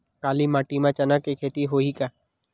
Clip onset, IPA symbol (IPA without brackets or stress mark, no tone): k